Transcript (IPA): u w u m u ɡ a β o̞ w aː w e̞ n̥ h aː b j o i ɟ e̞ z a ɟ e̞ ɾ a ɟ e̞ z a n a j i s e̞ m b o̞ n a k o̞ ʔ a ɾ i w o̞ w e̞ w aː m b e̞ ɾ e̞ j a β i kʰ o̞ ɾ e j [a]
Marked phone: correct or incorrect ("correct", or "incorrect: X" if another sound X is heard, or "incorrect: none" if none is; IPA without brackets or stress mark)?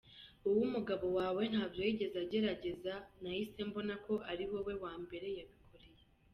incorrect: e